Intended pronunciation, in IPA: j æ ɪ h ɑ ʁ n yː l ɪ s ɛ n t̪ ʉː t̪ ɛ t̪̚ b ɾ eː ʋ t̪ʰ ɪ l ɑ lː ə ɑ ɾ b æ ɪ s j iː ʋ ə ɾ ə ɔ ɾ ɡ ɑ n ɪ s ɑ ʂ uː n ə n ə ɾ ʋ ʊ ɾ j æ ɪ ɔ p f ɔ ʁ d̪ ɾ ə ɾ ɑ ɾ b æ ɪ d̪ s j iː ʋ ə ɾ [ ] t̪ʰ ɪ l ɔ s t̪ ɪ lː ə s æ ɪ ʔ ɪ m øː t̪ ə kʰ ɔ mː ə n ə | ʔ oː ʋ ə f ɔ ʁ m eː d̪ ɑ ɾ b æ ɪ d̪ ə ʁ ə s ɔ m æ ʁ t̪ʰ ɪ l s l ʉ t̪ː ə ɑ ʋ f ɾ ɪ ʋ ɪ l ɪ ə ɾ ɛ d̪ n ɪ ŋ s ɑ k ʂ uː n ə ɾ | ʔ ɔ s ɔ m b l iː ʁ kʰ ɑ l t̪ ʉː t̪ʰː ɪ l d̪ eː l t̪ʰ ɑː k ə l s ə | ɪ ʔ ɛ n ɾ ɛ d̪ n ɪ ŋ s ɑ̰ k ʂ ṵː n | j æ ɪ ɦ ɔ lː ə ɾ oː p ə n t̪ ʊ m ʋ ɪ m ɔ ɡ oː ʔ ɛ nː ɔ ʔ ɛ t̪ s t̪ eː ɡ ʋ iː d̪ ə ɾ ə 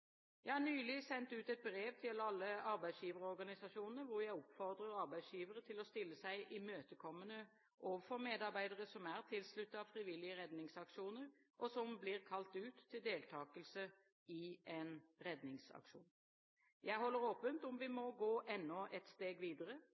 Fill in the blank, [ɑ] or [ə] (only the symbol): ə